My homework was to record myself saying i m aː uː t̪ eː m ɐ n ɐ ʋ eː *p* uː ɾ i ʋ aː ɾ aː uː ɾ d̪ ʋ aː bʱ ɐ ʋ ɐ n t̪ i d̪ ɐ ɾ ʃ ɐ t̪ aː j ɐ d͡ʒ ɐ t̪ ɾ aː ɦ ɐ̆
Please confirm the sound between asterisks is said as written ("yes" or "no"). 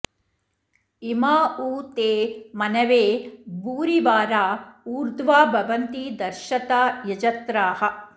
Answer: no